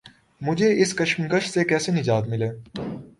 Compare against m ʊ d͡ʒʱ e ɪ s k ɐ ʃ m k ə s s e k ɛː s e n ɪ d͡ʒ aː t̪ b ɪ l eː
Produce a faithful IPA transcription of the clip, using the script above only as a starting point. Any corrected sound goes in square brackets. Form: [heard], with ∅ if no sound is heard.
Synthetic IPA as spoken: m ʊ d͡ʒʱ e ɪ s k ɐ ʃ m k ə [ʃ] s e k ɛː s e n ɪ d͡ʒ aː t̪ [m] ɪ l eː